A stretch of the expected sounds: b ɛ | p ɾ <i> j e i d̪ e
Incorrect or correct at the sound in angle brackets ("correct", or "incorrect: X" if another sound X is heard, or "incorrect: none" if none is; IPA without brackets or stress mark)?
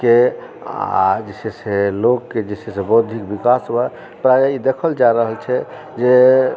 incorrect: a